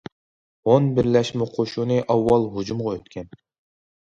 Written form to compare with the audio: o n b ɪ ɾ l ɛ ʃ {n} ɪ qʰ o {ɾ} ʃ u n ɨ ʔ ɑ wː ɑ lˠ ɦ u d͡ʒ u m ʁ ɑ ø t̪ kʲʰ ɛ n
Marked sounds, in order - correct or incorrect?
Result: incorrect: m, incorrect: none

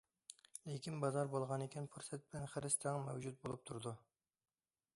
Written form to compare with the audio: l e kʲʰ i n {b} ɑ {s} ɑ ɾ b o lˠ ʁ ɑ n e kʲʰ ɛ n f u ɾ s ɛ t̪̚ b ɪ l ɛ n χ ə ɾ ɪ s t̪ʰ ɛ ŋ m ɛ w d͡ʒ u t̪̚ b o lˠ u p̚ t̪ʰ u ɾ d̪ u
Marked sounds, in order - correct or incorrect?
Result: correct, incorrect: z

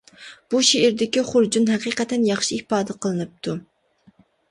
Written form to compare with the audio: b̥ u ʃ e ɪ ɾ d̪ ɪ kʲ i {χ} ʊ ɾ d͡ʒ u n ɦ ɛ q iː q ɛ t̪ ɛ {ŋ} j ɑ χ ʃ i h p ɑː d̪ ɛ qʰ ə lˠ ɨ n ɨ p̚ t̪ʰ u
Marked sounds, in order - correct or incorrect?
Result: correct, incorrect: n

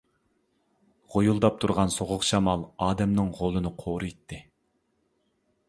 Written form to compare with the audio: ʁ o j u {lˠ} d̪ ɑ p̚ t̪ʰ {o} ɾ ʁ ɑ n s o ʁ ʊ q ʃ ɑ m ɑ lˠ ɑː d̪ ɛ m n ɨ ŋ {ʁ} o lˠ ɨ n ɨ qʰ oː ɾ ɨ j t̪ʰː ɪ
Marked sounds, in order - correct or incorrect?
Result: correct, incorrect: u, correct

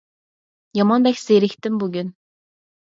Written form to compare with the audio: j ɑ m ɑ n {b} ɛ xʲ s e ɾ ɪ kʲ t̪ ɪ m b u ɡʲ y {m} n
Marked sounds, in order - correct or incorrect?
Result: correct, incorrect: none

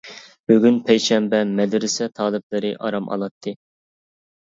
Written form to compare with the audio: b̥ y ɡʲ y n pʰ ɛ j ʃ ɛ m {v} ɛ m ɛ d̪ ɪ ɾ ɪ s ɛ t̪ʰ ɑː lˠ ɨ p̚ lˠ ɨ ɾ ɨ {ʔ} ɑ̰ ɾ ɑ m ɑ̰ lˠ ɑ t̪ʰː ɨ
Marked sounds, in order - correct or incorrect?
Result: incorrect: b, correct

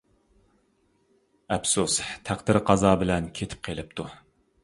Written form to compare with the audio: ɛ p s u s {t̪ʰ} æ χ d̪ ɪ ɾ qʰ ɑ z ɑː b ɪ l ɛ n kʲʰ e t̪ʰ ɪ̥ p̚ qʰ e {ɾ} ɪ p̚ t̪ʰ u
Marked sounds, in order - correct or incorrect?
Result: correct, incorrect: l

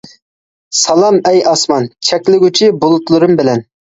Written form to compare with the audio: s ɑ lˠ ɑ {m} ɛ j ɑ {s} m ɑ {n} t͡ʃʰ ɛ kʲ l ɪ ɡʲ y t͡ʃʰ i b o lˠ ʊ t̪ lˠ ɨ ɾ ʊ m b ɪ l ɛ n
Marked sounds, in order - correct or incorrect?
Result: correct, correct, correct

